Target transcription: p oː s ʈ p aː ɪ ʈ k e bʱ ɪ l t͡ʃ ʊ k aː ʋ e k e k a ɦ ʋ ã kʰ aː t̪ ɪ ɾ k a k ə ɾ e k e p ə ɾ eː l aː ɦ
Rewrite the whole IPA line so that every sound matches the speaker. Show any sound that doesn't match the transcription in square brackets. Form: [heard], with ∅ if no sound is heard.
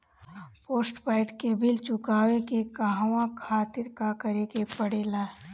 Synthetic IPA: p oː s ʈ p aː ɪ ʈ k e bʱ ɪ l t͡ʃ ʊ k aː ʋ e k e k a ɦ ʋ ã kʰ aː t̪ ɪ ɾ k a k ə ɾ e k e p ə [ɽ] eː l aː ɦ